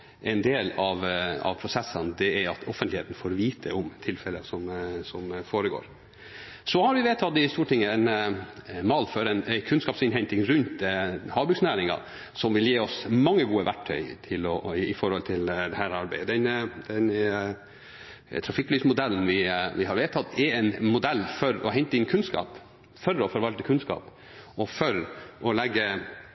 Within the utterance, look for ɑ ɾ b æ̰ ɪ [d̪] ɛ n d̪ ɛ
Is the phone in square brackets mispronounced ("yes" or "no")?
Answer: no